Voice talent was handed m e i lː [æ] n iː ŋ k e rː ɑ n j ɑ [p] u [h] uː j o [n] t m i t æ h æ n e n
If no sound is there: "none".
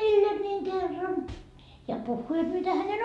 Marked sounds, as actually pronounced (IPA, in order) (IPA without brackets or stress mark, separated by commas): e, p, hː, none